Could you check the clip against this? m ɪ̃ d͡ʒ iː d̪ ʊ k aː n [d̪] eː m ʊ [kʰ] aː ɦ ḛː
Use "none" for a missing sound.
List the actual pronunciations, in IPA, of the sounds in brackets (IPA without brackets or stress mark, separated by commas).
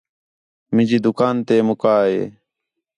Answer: t̪, k